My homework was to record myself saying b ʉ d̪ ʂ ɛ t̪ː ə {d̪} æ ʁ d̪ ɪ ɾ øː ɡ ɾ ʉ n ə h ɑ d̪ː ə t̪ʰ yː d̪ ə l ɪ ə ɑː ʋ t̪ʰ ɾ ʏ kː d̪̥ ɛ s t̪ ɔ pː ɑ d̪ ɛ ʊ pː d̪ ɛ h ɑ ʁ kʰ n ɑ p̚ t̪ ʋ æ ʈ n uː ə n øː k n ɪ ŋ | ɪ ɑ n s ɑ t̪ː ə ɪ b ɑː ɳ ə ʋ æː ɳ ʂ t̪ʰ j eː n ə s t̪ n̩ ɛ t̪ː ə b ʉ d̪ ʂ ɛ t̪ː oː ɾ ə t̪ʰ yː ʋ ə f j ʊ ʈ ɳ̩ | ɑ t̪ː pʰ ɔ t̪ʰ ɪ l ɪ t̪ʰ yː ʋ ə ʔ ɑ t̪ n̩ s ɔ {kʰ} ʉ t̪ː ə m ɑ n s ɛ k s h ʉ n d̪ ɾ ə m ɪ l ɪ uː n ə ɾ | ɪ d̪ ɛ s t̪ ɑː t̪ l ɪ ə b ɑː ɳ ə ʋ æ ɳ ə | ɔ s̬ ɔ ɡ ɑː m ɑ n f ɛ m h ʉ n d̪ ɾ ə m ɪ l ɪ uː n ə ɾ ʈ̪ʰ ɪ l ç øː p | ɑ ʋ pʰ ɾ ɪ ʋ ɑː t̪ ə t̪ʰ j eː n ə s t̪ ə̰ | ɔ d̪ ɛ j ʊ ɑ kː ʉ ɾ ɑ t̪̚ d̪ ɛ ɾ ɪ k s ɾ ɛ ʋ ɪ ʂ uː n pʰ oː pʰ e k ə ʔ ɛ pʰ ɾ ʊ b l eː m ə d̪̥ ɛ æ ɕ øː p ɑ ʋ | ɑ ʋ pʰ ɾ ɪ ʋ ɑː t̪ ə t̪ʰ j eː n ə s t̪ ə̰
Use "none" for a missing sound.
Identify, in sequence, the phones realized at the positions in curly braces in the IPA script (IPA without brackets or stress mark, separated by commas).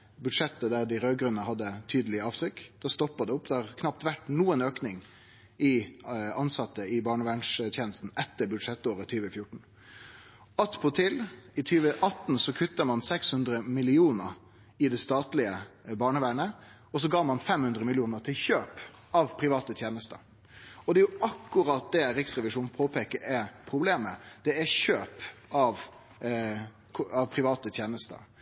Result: d̪, kʰ